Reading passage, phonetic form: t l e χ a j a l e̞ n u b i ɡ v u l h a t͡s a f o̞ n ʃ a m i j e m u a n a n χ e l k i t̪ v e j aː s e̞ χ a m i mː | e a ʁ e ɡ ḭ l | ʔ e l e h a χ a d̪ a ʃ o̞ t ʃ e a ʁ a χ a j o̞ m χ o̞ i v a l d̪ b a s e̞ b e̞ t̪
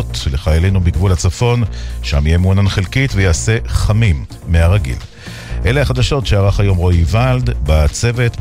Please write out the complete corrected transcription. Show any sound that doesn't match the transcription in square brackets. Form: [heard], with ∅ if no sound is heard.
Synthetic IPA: t l e χ a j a l e̞ n u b i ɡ v u l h a t͡s a f o̞ n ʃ a m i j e m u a n a n χ e l k i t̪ v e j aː s e̞ χ a m i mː | e a ʁ [a] ɡ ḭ l | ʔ e l e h a χ a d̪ a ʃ o̞ t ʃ e a ʁ a χ a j o̞ m [ʁ] o̞ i v a l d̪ b a [t͡s] e̞ [v] e̞ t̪